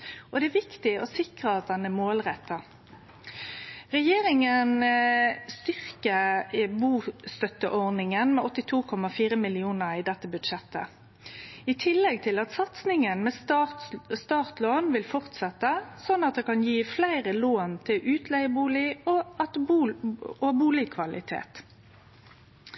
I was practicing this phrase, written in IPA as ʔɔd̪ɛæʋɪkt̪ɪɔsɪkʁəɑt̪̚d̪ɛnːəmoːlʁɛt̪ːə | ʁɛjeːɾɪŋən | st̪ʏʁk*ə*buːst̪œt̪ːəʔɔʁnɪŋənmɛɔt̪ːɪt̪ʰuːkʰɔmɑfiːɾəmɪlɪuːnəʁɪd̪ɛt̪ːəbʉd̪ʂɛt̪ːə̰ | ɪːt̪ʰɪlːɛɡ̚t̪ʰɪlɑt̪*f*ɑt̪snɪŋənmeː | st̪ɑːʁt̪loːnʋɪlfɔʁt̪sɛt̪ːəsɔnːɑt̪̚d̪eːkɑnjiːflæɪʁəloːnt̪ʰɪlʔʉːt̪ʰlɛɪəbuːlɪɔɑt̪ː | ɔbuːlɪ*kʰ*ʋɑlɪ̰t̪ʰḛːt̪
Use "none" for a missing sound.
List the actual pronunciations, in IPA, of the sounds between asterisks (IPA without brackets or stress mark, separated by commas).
ə, s, kʰ